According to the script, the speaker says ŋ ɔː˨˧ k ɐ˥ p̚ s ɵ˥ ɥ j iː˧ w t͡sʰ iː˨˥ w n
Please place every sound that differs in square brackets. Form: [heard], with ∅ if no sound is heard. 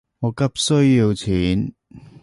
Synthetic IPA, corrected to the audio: ŋ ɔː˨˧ k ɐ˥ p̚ s ɵ˥ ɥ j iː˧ w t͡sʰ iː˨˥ [∅] n